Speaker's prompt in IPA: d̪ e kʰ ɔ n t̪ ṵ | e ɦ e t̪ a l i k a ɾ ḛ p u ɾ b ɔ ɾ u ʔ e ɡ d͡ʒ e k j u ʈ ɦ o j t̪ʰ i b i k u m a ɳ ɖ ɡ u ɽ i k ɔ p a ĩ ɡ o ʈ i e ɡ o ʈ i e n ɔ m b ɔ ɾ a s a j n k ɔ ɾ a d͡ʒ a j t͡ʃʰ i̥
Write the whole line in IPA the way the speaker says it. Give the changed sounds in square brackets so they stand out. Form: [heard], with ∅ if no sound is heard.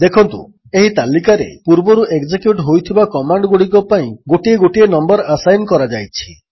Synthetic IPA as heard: d̪ e kʰ ɔ n t̪ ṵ | e ɦ [i] t̪ a l i k a ɾ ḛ p u ɾ b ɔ ɾ u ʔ e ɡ d͡ʒ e k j u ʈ ɦ o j t̪ʰ i b [a] k [ɔ] m a ɳ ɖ ɡ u ɽ i k ɔ p a ĩ ɡ o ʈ i e ɡ o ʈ i e n ɔ m b ɔ ɾ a s a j n k ɔ ɾ a d͡ʒ a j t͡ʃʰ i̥